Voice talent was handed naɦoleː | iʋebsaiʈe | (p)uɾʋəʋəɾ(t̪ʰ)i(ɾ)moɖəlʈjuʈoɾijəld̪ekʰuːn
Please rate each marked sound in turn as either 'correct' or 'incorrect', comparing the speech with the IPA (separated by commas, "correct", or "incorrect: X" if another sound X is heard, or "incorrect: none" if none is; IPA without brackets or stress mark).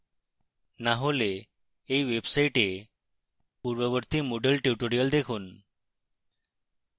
correct, incorrect: t̪, incorrect: none